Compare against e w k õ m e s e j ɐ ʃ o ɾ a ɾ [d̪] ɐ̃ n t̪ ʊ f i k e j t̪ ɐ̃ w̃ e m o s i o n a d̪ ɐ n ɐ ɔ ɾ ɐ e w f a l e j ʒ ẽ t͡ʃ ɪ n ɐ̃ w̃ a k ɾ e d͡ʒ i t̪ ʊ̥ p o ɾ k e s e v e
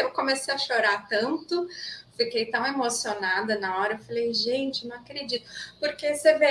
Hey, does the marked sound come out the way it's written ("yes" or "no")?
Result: no